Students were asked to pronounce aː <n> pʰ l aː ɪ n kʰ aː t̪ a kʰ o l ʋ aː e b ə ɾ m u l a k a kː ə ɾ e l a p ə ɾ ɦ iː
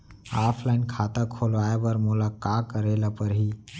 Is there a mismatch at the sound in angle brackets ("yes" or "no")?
yes